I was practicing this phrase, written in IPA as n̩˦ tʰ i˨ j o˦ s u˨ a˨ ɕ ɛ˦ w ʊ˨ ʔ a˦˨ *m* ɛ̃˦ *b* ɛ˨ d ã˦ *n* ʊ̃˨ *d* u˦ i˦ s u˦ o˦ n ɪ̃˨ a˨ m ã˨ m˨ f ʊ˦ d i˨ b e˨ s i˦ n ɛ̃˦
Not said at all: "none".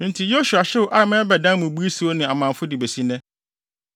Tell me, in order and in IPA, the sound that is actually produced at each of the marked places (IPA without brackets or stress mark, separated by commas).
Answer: m, b, m, b